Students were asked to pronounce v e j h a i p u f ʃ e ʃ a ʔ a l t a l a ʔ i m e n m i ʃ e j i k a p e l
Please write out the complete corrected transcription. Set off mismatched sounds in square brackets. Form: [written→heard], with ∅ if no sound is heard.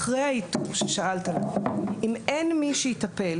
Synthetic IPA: [v→ʁ] e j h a i [p→t] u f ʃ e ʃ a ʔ a l t a l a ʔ i m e n m i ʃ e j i [k→t] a p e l

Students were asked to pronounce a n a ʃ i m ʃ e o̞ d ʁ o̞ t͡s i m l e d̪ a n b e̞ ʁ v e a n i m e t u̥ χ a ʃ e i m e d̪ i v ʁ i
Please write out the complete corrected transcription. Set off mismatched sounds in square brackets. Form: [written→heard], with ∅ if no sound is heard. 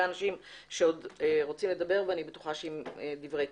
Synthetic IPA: a n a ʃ i m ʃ e o̞ d ʁ o̞ t͡s i m l e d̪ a [n→∅] b e̞ ʁ v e a n i [m→b] e t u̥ χ a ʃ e i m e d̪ i v ʁ [i→e]

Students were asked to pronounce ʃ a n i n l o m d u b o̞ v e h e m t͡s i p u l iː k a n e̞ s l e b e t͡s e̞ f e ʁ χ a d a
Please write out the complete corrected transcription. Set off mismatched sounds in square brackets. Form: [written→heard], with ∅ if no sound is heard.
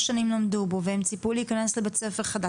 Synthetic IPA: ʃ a n i [n→m] l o m d u b o̞ v e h e m t͡s i p u l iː k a n e̞ s l e b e t͡s e̞ f e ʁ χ a d a

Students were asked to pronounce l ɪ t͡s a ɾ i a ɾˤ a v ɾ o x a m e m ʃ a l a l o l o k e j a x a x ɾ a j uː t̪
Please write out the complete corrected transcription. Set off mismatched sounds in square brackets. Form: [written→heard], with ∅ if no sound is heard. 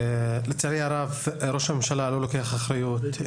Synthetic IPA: l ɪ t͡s a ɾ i a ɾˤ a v ɾ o [x→ʃ] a m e m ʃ a l a l o l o k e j a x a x ɾ a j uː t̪

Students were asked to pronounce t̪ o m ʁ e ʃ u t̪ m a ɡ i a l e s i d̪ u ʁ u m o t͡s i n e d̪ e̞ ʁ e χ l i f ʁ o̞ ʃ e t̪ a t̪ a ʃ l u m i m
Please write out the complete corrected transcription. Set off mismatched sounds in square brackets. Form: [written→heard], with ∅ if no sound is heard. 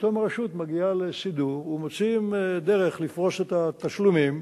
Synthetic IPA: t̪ o m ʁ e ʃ u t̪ m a ɡ i a l e s i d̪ u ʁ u m o t͡s i [n→m] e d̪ e̞ ʁ e χ l i f ʁ o̞ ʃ e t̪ a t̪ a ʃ l u m i m

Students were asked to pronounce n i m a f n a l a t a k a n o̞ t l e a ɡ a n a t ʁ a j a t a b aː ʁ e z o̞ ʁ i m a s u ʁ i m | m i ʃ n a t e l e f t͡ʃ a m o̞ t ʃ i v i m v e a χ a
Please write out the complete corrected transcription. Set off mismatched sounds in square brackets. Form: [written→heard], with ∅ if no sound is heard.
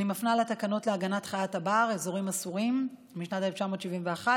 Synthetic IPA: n i m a f n a l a t a k a n o̞ t l e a ɡ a n a t [ʁ→χ] a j a t a b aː ʁ e z o̞ ʁ i m a s u ʁ i m | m i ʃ n a t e l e f t͡ʃ a m o̞ t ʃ i v i m v e a χ a

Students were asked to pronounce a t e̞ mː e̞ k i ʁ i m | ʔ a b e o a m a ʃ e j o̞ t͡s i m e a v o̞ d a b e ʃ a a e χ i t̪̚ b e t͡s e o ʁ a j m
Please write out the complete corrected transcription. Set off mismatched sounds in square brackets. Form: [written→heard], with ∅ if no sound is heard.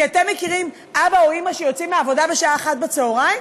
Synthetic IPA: a t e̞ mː e̞ k i ʁ i m | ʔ a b [e→a] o [a→i] m a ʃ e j o̞ t͡s i m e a v o̞ d a b e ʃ a a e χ [i→a] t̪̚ b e t͡s e o ʁ a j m

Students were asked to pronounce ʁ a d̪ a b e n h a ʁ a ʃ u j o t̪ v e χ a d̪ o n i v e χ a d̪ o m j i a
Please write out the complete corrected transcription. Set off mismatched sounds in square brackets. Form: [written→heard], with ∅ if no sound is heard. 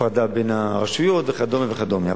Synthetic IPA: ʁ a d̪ a b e n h a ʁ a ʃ u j o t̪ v e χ a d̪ o [n→m] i v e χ a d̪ o m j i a

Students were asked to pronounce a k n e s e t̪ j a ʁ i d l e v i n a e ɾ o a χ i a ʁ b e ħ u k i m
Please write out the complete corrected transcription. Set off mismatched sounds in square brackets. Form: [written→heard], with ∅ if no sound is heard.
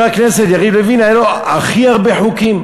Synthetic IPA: a k n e s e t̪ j a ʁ i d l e v i n a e [ɾ→l] o a χ i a ʁ b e ħ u k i m

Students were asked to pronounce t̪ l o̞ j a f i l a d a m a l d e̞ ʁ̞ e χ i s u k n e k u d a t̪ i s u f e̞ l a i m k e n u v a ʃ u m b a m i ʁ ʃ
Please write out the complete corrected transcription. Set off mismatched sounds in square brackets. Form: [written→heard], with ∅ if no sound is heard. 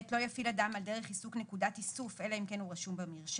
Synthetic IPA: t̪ l o̞ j a f i l a d a m a l d e̞ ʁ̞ e χ i s u k n e k u d a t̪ i s u f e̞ l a i m k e n u [v→ʁ] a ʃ u m b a m i ʁ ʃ

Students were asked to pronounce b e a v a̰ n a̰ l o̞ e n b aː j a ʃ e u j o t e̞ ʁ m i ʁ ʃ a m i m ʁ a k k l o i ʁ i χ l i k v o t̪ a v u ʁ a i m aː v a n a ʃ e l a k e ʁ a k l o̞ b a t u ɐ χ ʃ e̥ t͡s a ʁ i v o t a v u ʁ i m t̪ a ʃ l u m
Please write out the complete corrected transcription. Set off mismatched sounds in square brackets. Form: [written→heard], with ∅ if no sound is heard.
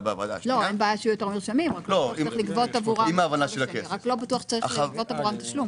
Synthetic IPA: b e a v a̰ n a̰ l o̞ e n b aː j a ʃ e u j o t e̞ ʁ m i ʁ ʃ a m i m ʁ a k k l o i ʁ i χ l i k v o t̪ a v u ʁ a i m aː v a n a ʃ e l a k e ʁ a k l o̞ b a t u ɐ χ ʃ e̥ t͡s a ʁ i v o t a v u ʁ [i→a] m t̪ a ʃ l u m

